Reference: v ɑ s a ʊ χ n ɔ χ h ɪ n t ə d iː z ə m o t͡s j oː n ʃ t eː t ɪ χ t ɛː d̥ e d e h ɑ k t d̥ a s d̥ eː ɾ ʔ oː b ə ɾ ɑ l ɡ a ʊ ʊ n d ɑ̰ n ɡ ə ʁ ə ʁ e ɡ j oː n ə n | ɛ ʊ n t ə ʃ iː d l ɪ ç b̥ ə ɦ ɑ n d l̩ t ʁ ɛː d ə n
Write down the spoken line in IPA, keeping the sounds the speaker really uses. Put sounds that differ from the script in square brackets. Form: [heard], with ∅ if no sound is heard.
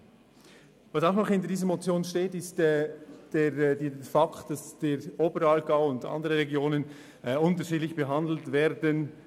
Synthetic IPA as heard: v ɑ s a ʊ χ n ɔ χ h ɪ n t ə d iː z ə m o t͡s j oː n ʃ t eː t ɪ [s] t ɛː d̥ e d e [f] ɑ k t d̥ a s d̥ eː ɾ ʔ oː b ə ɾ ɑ l ɡ a ʊ ʊ n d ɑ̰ n [d] ə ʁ ə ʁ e ɡ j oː n ə n | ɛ ʊ n t ə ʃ iː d l ɪ ç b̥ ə ɦ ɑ n d l̩ t [v] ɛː d ə n